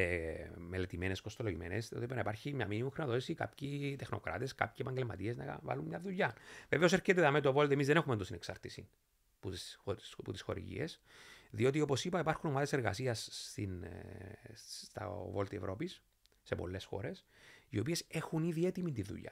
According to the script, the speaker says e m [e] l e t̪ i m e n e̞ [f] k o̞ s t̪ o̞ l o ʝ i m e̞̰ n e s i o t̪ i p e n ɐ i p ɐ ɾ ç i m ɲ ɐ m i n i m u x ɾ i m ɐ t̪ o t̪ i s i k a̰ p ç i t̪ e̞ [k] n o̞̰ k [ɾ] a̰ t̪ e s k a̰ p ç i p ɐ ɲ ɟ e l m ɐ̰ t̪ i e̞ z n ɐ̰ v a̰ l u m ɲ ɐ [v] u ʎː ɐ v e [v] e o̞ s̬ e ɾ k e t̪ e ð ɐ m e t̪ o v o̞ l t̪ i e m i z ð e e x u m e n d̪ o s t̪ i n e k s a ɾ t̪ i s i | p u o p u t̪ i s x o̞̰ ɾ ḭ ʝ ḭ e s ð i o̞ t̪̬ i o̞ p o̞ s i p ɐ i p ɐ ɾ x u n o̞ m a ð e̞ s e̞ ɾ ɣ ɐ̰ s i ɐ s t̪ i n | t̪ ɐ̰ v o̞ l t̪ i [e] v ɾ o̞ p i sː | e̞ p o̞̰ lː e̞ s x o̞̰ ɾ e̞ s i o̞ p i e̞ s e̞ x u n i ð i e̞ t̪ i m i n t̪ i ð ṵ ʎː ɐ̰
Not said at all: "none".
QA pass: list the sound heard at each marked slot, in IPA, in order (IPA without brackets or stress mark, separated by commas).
e, s, x, ɾ, ð, v, e